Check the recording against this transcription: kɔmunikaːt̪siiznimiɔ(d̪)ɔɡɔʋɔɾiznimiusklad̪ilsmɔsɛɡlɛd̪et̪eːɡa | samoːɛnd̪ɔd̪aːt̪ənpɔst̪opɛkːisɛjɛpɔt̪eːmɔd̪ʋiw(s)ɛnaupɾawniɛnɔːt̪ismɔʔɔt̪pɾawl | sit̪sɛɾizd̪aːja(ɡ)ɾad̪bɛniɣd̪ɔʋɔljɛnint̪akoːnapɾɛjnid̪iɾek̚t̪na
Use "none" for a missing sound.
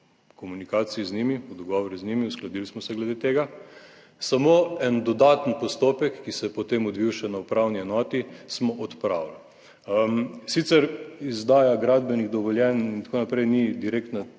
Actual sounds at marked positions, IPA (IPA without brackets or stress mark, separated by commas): d̪, ʃ, ɡ